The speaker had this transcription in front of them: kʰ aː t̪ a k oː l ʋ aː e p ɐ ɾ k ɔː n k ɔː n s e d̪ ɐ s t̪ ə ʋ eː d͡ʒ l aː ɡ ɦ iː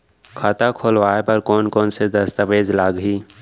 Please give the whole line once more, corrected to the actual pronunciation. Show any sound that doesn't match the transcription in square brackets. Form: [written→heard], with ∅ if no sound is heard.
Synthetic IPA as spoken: kʰ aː t̪ a [k→kʰ] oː l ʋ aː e p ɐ ɾ k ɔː n k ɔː n s e d̪ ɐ s t̪ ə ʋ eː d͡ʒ l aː ɡ ɦ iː